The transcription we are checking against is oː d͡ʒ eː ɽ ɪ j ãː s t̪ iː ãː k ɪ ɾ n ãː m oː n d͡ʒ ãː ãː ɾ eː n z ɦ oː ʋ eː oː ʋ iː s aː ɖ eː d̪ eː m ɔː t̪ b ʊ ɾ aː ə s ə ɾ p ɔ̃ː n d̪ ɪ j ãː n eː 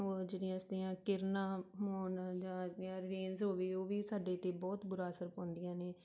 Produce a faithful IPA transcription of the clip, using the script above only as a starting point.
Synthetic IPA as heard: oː d͡ʒ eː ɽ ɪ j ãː s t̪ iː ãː k ɪ ɾ n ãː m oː n d͡ʒ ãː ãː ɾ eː n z ɦ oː ʋ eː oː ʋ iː s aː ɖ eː t̪ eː b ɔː t̪ b ʊ ɾ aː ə s ə ɾ p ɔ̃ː n d̪ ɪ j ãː n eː